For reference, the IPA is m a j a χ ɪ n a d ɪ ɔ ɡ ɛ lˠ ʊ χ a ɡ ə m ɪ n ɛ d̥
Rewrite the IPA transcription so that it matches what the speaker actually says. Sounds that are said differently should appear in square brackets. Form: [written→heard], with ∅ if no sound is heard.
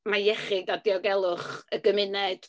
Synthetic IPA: m a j [a→ɛ] χ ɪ [n→d] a d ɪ ɔ ɡ ɛ lˠ ʊ χ [a→ə] ɡ ə m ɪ n ɛ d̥